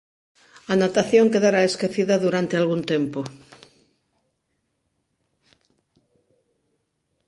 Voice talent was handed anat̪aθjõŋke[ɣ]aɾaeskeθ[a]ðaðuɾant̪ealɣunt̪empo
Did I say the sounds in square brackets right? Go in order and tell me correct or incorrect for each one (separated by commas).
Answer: incorrect, incorrect